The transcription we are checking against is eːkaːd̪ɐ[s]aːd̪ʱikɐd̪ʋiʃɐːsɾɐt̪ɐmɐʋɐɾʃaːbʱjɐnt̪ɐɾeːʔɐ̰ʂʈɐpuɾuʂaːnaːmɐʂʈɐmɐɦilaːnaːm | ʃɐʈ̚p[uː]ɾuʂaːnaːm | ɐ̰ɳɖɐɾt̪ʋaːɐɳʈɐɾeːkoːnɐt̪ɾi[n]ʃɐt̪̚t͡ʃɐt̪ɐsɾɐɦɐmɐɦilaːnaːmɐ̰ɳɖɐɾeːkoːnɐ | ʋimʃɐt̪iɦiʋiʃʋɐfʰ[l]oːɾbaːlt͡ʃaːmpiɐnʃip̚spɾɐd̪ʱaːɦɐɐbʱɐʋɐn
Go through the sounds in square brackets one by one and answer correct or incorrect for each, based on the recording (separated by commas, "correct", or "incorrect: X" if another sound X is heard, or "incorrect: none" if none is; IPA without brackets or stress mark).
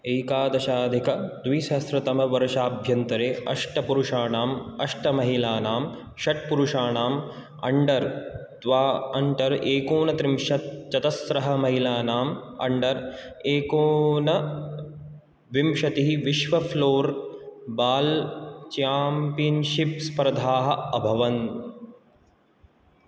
incorrect: ʃ, incorrect: u, incorrect: m, correct